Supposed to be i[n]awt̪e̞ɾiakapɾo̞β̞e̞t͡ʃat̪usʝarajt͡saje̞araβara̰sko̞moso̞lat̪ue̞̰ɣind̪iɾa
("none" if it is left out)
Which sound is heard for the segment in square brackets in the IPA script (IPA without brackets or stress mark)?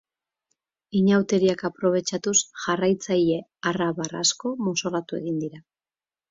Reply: ɲ